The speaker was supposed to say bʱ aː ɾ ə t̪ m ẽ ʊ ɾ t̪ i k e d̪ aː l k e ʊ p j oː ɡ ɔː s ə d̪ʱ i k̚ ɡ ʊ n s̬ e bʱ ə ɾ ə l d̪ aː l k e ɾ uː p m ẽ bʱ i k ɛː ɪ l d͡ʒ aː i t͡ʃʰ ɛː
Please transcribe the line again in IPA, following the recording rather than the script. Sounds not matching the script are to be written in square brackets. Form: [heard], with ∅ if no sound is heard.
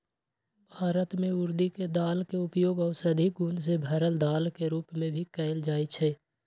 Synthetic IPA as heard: bʱ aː ɾ ə t̪ m ẽ ʊ ɾ [d̪] i k e d̪ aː l k e ʊ p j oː ɡ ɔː s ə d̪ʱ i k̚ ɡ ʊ n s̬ e bʱ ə ɾ ə l d̪ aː l k e ɾ uː p m ẽ bʱ i k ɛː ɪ l d͡ʒ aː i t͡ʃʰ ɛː